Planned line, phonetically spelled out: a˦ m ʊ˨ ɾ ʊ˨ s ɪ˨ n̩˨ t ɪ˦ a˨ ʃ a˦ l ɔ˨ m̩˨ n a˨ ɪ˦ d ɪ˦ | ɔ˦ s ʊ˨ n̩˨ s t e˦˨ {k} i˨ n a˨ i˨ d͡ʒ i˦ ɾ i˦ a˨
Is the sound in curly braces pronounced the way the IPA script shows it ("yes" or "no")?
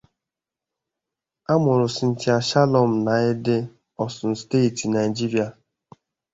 no